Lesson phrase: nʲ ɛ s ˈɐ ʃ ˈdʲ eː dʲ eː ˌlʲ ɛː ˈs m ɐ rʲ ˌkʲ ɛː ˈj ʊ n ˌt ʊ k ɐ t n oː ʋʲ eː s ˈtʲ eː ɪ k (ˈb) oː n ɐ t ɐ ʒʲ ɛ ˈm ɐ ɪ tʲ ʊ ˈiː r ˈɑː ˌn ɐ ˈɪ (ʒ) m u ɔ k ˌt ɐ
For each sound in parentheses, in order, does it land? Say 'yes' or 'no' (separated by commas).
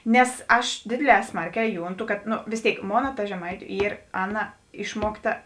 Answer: no, no